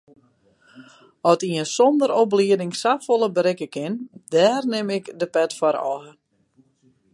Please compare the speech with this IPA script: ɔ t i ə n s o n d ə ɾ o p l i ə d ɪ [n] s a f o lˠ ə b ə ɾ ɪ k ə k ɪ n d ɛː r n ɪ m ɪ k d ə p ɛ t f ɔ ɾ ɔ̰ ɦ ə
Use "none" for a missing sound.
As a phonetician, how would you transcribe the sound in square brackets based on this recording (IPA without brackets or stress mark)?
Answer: ŋ